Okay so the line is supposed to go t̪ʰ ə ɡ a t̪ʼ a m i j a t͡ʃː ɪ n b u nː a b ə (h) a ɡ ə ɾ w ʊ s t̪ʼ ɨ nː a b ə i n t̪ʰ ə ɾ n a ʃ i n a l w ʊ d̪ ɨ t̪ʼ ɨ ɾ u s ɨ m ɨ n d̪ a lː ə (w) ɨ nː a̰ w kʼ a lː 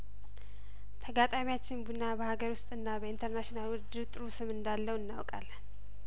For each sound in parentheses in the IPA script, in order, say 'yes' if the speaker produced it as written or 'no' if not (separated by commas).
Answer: yes, yes